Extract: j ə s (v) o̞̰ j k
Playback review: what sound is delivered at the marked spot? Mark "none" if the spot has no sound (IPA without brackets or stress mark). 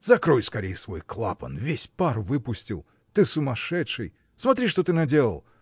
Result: v